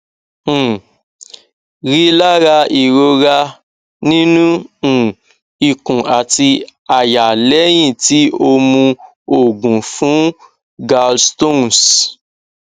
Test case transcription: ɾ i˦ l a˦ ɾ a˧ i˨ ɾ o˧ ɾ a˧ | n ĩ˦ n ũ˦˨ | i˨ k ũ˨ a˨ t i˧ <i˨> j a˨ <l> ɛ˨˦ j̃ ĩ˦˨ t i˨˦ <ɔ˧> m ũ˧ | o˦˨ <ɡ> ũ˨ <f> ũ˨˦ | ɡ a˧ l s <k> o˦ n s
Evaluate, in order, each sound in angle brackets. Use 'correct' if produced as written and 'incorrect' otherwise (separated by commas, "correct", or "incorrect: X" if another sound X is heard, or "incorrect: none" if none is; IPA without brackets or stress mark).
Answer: incorrect: a˨, correct, incorrect: o˧, correct, correct, incorrect: t